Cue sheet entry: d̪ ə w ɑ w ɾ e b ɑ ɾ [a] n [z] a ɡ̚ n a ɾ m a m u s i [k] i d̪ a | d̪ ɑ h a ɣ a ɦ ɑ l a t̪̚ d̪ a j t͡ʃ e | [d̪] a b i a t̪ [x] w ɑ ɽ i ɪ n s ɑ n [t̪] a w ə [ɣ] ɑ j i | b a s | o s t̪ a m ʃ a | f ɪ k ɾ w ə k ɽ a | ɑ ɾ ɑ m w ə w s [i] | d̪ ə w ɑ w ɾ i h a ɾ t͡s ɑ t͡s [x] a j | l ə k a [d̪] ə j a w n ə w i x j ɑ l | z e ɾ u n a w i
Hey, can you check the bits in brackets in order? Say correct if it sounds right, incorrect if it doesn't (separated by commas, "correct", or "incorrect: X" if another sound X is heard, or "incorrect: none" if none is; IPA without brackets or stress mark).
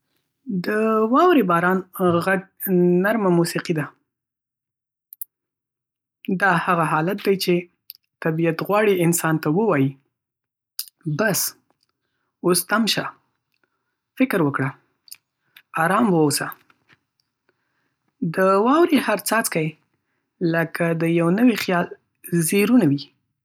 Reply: incorrect: ɑ, incorrect: ɣ, incorrect: q, incorrect: t̪, incorrect: ɣ, correct, incorrect: w, incorrect: a, incorrect: k, correct